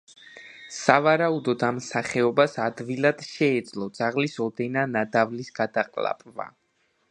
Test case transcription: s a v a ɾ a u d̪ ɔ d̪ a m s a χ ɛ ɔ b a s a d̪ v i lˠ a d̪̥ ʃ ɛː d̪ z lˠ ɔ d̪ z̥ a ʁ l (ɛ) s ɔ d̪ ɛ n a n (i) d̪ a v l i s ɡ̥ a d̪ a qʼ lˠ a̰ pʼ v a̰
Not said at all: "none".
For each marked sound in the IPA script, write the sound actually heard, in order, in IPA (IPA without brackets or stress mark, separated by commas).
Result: i, a